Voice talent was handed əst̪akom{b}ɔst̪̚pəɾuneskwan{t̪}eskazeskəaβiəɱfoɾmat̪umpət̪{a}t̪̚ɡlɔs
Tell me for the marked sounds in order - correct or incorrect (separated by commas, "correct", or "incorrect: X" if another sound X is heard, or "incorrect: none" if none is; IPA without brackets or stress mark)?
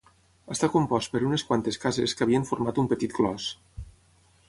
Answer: incorrect: p, correct, incorrect: i